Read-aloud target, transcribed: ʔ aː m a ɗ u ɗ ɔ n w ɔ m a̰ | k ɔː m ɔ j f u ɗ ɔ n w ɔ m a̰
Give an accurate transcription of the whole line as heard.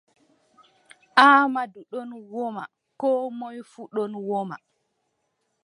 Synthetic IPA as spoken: ʔ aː m a d u ɗ ɔ n w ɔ m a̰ | k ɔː m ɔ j f u ɗ ɔ n w ɔ m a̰